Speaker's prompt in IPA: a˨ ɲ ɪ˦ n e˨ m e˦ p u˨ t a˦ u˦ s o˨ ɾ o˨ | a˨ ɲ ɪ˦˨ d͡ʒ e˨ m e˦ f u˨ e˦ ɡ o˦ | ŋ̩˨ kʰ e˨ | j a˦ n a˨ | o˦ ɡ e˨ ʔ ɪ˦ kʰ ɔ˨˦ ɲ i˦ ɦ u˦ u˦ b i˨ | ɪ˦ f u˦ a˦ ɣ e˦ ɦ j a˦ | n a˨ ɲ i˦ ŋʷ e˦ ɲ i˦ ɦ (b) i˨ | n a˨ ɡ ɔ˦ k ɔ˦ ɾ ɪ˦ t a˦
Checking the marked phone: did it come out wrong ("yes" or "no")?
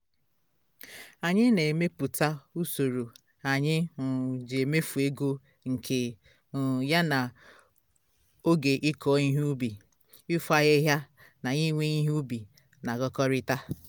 no